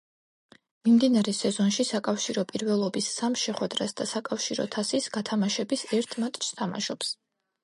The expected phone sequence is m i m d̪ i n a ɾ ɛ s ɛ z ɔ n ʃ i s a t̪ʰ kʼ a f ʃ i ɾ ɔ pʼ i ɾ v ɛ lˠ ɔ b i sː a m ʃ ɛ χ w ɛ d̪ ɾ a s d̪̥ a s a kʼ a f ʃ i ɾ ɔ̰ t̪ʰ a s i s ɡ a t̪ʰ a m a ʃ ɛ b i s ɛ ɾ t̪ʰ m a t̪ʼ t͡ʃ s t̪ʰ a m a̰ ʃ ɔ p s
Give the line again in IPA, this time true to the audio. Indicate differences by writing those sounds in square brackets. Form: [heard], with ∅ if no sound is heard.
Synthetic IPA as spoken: m i m d̪ i n a ɾ ɛ s ɛ z ɔ n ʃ i s a [∅] kʼ a f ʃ i ɾ ɔ pʼ i ɾ v ɛ lˠ ɔ b i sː a m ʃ ɛ χ w ɛ d̪ ɾ a s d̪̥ a s a kʼ a f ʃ i ɾ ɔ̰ t̪ʰ a s i s ɡ a t̪ʰ a m a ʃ ɛ b i s ɛ ɾ t̪ʰ m a t̪ʼ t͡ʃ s t̪ʰ a m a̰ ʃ ɔ p s